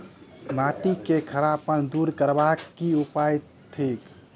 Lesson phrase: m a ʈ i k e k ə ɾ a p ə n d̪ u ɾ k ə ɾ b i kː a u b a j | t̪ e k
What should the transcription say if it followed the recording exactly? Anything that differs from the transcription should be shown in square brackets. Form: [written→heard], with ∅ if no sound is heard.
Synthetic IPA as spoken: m a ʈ i k e [k→kʰ] ə ɾ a p ə n d̪ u ɾ k ə ɾ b [i→a] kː [a→i] u [b→p] a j | [t̪→t̪ʰ] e k